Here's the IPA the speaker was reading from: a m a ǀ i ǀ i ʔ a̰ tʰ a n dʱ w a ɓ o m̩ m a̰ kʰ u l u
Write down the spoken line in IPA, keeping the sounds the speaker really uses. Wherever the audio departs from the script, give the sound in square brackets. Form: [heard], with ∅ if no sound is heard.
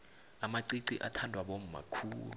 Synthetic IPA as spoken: a m a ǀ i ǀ i ʔ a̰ tʰ a n dʱ w a ɓ o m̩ m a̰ kʰ [uː] l u